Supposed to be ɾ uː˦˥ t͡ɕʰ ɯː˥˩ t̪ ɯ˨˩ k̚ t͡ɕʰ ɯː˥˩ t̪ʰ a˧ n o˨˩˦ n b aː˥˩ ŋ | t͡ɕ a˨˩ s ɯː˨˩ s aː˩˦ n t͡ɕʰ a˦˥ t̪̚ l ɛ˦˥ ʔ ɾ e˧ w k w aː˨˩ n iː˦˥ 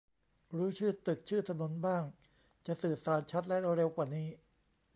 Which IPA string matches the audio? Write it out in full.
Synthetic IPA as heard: ɾ uː˦˥ t͡ɕʰ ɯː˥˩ t̪ ɯ˨˩ k̚ t͡ɕʰ ɯː˥˩ t̪ʰ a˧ n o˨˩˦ n b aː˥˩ ŋ | t͡ɕ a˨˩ s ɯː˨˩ s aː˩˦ n t͡ɕʰ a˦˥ t̪̚ l ɛ˦˥ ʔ ɾ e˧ w k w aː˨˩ n iː˦˥